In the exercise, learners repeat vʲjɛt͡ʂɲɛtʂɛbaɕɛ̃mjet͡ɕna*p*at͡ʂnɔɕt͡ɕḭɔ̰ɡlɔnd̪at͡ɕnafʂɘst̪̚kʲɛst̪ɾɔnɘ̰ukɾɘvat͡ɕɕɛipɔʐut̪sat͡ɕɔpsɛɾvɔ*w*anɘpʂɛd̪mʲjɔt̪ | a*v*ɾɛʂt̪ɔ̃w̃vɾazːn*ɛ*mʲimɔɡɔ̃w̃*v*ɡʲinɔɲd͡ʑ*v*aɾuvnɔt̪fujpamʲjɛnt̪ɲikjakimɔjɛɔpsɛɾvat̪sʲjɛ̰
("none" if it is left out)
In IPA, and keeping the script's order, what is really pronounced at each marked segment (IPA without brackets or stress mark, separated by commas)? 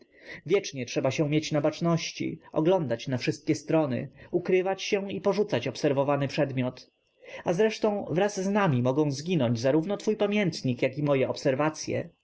b, v, z, a, z, z